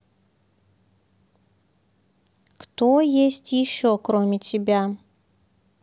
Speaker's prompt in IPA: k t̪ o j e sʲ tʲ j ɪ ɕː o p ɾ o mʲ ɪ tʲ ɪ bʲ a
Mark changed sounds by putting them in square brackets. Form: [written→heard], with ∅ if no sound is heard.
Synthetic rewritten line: k t̪ o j e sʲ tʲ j ɪ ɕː o [p→k] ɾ o mʲ ɪ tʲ ɪ bʲ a